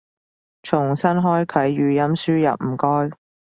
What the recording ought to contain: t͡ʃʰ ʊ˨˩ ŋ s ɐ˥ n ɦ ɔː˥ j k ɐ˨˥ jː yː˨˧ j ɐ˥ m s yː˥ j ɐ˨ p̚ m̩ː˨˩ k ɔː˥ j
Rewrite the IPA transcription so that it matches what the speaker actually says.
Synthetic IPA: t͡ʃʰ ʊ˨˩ ŋ s ɐ˥ n ɦ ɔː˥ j kʰ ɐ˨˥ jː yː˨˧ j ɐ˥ m s yː˥ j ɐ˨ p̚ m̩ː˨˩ k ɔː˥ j